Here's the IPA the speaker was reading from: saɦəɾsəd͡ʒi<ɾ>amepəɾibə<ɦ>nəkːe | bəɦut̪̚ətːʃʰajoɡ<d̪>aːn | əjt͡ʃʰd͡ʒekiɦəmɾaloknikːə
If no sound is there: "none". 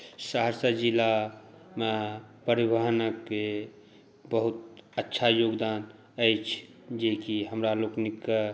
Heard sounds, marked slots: l, ɦ, d̪

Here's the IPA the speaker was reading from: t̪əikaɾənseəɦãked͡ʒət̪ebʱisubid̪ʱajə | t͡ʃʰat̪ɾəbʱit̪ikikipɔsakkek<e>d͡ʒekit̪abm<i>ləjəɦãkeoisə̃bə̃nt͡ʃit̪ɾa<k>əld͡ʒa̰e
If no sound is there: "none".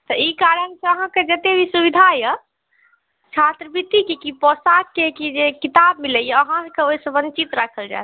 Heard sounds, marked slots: i, i, kʰ

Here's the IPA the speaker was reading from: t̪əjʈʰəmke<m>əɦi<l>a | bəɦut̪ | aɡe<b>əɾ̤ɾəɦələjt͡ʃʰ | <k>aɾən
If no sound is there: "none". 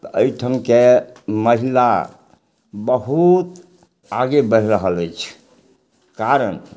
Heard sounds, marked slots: m, l, b, k

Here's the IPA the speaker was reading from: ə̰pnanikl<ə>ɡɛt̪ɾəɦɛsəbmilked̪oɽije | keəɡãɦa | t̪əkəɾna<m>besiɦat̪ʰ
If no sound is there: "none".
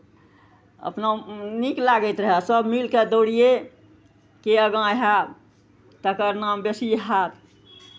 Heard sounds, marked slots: a, m

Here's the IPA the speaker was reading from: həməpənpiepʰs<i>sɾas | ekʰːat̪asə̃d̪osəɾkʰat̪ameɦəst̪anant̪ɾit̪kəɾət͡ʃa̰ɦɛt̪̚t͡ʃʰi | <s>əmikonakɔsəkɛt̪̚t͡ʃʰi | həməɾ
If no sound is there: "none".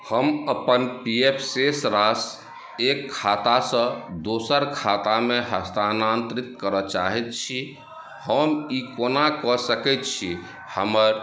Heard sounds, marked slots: e, h

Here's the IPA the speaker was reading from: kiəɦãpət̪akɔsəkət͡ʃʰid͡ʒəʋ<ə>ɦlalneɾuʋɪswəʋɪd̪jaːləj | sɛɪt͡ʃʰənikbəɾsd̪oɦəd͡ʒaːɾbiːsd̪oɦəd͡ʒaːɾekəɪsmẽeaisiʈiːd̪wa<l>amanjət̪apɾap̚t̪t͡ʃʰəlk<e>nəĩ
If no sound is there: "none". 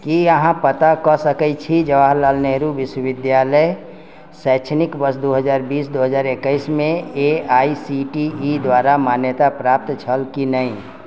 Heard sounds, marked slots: a, ɾ, i

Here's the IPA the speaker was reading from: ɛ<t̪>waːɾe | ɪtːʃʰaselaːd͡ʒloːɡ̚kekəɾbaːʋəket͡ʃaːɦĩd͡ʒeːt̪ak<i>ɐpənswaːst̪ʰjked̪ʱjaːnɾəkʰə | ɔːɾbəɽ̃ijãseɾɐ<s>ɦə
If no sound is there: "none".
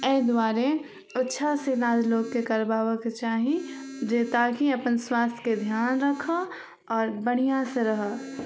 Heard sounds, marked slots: d̪, i, none

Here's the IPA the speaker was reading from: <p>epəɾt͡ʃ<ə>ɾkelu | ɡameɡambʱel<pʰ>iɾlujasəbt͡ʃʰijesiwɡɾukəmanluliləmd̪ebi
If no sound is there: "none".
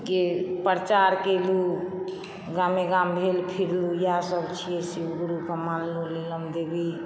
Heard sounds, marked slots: k, a, pʰ

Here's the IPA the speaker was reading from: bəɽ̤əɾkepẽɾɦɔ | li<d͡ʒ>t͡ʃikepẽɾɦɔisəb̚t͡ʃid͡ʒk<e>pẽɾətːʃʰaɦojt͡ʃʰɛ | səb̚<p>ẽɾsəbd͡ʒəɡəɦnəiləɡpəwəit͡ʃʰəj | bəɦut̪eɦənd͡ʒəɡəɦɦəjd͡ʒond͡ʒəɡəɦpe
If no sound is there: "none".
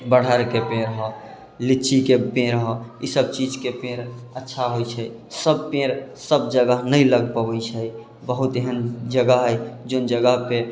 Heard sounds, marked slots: none, e, p

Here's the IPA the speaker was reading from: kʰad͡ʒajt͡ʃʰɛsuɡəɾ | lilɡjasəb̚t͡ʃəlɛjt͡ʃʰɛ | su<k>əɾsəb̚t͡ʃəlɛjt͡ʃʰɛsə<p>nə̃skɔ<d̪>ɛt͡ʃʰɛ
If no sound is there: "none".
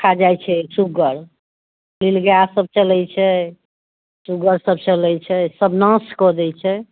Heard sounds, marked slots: ɡ, b, d̪

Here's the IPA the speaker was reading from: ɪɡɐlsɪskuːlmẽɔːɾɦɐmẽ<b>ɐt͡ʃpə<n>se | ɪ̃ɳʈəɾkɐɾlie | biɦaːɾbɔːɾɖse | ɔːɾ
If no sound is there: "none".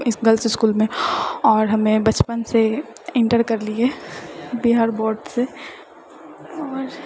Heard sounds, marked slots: b, n

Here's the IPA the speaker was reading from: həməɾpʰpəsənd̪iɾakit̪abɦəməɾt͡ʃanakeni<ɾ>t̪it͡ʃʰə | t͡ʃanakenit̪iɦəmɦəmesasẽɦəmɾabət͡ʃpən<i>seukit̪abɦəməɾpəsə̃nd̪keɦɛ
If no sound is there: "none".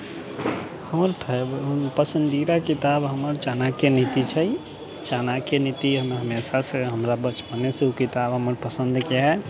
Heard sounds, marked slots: none, e

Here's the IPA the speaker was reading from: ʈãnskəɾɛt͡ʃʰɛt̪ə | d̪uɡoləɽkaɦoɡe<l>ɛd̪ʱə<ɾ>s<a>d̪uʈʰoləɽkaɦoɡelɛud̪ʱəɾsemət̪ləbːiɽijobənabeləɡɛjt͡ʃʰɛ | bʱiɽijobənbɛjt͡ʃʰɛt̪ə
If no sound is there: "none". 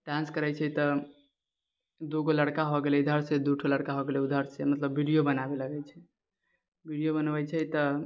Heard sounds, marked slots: l, ɾ, e

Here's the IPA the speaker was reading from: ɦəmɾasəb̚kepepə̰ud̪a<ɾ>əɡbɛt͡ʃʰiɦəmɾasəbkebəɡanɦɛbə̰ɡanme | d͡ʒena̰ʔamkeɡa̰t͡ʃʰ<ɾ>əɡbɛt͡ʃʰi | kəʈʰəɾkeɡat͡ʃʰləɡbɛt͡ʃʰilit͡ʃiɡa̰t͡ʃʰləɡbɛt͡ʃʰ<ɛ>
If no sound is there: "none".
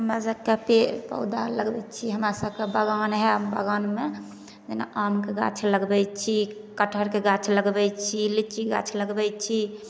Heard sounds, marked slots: l, l, i

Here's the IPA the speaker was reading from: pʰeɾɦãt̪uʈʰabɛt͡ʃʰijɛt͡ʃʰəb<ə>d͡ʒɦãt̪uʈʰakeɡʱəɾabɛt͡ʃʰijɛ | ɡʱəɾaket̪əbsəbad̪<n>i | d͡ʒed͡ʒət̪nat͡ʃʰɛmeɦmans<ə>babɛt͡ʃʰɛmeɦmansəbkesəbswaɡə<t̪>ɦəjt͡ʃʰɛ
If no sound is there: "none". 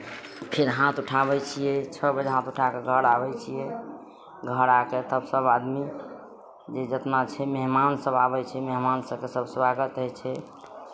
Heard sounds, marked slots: ə, m, ə, t̪

